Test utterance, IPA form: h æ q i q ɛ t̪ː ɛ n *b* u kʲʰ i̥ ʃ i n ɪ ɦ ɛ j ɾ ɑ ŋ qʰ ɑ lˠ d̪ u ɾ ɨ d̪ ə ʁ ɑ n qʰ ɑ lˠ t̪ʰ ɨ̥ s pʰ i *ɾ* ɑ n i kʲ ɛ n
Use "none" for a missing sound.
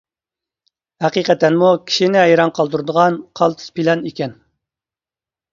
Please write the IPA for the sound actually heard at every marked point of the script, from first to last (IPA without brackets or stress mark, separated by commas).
m, l